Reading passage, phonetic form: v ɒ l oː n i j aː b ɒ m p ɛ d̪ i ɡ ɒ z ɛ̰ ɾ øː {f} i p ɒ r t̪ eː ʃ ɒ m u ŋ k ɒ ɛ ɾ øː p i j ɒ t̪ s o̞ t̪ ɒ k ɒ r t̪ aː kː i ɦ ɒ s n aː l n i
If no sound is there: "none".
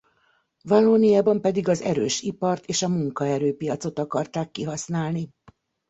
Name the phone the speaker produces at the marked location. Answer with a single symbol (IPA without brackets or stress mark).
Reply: ʃ